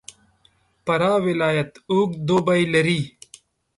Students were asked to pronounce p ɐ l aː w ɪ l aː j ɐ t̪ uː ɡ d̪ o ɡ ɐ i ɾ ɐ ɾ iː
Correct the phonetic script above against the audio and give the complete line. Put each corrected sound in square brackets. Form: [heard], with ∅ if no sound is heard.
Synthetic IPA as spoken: p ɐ [ɾ] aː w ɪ l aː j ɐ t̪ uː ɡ d̪ o [b] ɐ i [l] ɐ ɾ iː